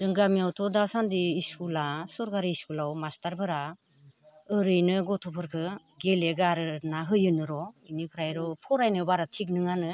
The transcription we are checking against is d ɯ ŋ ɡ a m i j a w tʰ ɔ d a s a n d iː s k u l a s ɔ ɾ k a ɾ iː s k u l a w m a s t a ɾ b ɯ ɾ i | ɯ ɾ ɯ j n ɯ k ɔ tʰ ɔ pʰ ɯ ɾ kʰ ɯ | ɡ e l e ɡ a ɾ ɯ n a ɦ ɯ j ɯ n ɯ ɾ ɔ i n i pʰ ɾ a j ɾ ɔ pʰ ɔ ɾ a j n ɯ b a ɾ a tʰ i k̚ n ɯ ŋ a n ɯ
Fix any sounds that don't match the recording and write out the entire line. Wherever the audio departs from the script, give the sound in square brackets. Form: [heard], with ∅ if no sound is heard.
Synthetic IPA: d ɯ ŋ ɡ a m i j a w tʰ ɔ d a s a n d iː s k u l a s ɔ ɾ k a ɾ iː s k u l a w m a s t a ɾ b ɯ ɾ [a] | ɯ ɾ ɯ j n ɯ [ɡ] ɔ tʰ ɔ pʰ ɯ ɾ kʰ ɯ | ɡ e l e ɡ a ɾ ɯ n a ɦ ɯ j ɯ n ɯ ɾ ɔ i n i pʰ ɾ a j ɾ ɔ pʰ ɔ ɾ a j n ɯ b a ɾ a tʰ i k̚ n ɯ ŋ a n ɯ

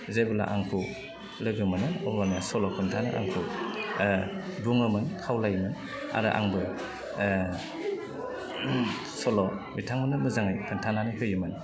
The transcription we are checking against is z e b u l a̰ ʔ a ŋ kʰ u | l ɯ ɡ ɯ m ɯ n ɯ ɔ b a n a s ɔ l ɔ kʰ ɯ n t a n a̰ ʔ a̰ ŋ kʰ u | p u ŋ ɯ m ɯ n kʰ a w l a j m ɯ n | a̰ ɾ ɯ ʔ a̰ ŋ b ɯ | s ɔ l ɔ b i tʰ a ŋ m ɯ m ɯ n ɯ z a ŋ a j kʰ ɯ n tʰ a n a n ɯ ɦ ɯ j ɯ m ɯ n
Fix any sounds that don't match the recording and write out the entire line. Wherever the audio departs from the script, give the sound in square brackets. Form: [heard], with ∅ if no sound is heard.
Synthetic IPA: z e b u l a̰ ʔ a ŋ kʰ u | l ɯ ɡ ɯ m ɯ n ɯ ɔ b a n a s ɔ l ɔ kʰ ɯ n [tʰ] a n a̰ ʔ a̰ ŋ kʰ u | [b] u ŋ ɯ m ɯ n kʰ a w l a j m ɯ n | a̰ ɾ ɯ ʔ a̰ ŋ b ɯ | s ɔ l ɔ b i tʰ a ŋ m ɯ [n] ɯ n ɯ z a ŋ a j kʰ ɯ n tʰ a n a n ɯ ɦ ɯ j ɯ m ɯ n

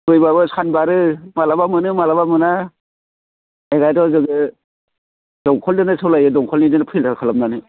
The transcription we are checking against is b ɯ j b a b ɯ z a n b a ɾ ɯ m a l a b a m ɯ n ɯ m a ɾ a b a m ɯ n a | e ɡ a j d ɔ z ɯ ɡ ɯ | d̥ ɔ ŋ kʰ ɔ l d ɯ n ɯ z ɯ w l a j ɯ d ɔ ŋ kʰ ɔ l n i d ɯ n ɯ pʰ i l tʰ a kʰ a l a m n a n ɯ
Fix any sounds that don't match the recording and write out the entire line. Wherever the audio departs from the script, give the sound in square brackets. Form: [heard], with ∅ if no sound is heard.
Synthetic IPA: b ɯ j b a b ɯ [s] a n b a ɾ ɯ m a l a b a m ɯ n ɯ m a [l] a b a m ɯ n a | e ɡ a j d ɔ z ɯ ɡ ɯ | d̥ ɔ ŋ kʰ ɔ l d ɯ n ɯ [s] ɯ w l a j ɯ d ɔ ŋ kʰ ɔ l n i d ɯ n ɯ pʰ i l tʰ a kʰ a l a m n a n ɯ

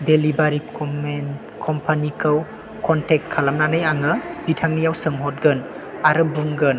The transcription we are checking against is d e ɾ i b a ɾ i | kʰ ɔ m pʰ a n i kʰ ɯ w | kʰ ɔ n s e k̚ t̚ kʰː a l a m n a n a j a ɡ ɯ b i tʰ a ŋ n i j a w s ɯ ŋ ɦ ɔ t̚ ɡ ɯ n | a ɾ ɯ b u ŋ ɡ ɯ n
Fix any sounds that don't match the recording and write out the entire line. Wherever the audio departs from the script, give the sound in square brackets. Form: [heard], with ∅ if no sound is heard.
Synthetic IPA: d e [l] i b a ɾ i | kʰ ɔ m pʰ a n i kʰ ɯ w | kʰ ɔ n [t] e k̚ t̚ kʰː a l a m n a n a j a [ŋ] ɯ b i tʰ a ŋ n i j a w s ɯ ŋ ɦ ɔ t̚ ɡ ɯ n | a ɾ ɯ b u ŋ ɡ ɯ n

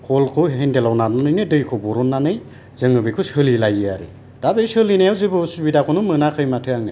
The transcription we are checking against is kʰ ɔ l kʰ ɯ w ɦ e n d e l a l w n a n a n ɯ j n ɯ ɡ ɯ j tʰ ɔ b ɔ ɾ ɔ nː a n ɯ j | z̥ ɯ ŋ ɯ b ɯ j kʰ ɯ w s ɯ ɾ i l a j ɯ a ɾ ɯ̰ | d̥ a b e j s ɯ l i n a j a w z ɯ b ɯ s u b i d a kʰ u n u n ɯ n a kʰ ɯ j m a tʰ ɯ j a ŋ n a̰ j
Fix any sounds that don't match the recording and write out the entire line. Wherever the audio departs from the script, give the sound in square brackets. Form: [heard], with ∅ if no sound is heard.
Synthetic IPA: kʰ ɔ l kʰ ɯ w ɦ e n d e l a [∅] w n a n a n ɯ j n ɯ [d] ɯ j [kʰ] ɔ b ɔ ɾ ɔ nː a n ɯ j | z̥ ɯ ŋ ɯ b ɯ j kʰ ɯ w s ɯ [l] i l a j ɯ a ɾ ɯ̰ | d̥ a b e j s ɯ l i n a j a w z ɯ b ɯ s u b i d a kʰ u n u [m] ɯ n a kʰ ɯ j m a tʰ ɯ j a ŋ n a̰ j

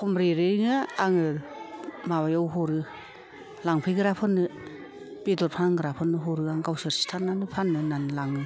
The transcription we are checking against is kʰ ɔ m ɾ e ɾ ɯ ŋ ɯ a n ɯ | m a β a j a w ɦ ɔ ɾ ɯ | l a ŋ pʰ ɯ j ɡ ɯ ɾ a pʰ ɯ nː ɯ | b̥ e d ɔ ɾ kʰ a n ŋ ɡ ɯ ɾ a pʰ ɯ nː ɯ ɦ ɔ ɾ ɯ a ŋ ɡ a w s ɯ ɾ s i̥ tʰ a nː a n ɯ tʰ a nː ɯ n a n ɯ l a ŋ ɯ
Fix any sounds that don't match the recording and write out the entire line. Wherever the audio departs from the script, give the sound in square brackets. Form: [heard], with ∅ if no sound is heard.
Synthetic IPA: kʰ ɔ m ɾ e ɾ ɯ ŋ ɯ a [ŋ] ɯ | m a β a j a w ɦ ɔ ɾ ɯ | l a ŋ pʰ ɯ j ɡ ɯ ɾ a pʰ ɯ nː ɯ | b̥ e d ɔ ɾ [pʰ] a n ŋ ɡ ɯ ɾ a pʰ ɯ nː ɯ ɦ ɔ ɾ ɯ a ŋ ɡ a w s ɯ ɾ s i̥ tʰ a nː a n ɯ [pʰ] a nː ɯ n a n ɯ l a ŋ ɯ

